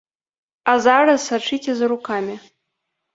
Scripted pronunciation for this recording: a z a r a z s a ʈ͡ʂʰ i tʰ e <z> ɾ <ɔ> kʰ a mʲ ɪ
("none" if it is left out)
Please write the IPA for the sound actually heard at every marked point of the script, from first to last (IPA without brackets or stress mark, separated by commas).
z, u